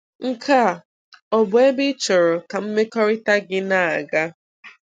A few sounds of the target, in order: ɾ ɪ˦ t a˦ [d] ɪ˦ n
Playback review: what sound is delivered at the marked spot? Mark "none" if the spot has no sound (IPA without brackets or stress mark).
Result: ɡ